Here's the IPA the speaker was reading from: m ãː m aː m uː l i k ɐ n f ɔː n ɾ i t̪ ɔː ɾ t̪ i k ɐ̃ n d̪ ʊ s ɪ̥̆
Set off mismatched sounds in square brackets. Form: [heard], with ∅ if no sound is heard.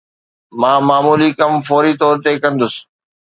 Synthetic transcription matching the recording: m ãː m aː m uː l i k ɐ [m] f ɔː [∅] ɾ i t̪ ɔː ɾ t̪ [e] k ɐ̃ n d̪ ʊ s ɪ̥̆

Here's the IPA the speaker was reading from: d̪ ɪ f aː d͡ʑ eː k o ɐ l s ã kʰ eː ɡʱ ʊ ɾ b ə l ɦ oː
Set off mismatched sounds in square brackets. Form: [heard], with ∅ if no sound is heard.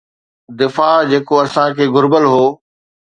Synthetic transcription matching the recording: d̪ ɪ f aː d͡ʑ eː k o ɐ [∅] s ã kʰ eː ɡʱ ʊ ɾ b ə l ɦ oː

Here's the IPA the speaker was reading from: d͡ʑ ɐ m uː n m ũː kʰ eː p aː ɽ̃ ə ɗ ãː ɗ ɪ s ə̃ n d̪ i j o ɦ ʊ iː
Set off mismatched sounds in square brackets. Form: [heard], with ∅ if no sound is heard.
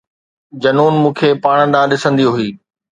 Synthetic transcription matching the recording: d͡ʑ ɐ [n] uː n m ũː kʰ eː p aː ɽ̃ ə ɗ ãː ɗ ɪ s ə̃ n d̪ i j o ɦ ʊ iː

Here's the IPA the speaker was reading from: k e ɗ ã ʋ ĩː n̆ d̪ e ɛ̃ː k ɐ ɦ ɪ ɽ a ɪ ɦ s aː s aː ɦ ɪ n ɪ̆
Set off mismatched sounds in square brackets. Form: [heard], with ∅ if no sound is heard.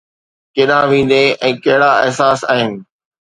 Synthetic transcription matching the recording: k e ɗ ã ʋ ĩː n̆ d̪ e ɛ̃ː k ɐ ɦ ɪ ɽ a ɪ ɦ s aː s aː ɦ ɪ n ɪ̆

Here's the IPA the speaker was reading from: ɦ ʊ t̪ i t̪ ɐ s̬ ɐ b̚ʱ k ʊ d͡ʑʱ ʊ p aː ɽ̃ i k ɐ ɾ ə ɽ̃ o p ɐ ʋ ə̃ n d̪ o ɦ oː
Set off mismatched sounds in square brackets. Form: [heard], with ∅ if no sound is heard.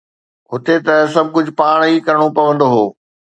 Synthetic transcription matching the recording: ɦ ʊ t̪ [e] t̪ ɐ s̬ ɐ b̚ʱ k ʊ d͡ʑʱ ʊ p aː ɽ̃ i k ɐ ɾ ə ɽ̃ o p ɐ ʋ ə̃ n d̪ o ɦ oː

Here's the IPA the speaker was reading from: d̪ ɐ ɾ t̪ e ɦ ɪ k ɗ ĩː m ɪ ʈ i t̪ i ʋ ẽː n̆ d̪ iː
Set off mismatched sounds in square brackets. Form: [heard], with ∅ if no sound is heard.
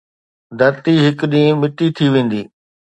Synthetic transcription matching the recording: d̪ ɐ ɾ t̪ [i] ɦ ɪ k ɗ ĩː m ɪ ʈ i [t̪ʰ] i ʋ ẽː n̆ d̪ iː

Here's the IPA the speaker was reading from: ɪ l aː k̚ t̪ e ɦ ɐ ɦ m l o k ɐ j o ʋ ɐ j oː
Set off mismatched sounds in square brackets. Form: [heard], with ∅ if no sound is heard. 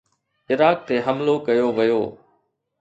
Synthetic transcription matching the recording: ɪ [ɾ] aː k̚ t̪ e ɦ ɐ [∅] m l o k ɐ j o ʋ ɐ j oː

